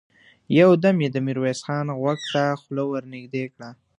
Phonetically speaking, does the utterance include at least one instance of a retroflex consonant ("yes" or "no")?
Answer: yes